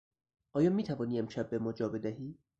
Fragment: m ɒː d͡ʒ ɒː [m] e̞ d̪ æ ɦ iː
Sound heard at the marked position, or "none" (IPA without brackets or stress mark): b